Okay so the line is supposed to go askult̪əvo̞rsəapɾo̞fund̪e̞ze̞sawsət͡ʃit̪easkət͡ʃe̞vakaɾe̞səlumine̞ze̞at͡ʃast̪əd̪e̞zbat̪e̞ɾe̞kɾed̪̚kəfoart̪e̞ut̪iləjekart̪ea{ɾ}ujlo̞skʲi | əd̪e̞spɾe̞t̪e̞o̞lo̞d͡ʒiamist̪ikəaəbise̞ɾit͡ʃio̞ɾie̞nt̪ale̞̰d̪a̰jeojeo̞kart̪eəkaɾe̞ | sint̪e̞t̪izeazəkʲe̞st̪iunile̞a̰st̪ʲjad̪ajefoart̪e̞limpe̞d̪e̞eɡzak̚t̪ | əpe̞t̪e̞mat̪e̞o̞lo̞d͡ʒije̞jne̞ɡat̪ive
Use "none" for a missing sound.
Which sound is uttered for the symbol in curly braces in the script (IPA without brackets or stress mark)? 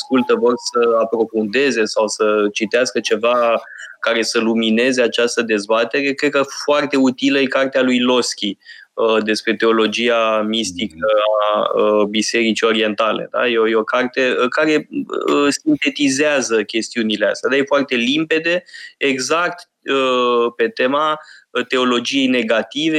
l